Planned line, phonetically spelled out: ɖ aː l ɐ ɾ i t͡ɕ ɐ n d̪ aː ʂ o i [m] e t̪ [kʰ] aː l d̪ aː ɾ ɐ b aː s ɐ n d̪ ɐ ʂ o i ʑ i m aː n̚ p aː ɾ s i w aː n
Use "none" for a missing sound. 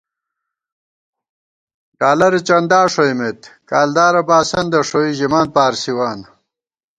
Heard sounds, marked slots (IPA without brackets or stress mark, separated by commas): m, k